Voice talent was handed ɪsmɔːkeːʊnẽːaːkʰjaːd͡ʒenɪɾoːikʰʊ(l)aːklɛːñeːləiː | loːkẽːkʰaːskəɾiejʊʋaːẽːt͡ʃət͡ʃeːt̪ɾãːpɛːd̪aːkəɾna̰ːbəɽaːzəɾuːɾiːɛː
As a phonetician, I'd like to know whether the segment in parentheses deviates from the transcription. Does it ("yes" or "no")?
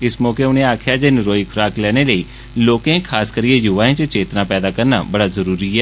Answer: yes